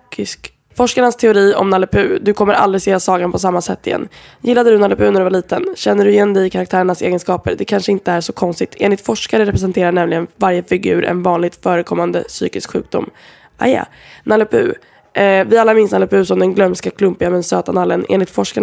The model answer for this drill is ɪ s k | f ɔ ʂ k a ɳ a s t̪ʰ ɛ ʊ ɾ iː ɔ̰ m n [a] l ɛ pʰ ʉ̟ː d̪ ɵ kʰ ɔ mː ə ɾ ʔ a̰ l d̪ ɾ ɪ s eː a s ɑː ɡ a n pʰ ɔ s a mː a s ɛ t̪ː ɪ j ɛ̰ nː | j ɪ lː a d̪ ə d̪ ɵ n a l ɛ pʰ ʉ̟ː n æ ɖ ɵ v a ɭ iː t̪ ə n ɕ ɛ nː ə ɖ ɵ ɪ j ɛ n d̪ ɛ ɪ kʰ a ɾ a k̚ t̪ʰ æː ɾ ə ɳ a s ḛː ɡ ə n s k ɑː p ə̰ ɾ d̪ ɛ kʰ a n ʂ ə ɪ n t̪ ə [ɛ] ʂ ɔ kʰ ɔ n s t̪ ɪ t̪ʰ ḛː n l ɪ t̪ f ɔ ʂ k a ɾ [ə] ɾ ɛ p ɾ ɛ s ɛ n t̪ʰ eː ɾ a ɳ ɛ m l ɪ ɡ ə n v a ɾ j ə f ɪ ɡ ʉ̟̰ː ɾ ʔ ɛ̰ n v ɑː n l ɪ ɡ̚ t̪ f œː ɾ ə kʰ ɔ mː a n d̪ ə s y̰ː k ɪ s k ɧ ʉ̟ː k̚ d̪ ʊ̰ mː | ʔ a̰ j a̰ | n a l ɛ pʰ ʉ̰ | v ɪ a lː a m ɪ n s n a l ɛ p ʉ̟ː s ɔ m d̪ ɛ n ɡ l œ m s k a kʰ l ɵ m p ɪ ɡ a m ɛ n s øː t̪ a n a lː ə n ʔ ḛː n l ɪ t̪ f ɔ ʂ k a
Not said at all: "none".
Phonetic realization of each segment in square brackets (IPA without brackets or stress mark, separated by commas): a, æ, ə